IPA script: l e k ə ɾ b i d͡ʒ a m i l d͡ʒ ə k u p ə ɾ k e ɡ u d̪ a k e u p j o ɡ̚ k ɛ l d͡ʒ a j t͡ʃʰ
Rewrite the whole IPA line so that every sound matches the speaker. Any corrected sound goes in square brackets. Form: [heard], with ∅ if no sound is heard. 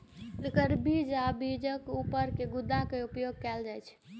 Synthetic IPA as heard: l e k ə ɾ b i d͡ʒ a [b] i [∅] d͡ʒ ə k u p ə ɾ k e ɡ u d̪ a k e u p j o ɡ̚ k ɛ l d͡ʒ a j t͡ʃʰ